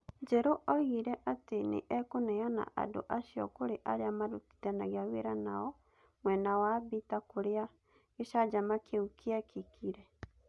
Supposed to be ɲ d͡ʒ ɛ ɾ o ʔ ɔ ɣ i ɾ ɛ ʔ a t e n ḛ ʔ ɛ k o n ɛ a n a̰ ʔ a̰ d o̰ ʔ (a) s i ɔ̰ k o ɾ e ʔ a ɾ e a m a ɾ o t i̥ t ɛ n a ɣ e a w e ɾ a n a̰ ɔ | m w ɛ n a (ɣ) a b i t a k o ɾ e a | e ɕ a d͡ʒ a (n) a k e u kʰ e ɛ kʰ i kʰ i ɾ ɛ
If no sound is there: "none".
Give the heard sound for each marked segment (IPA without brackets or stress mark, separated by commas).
a, w, m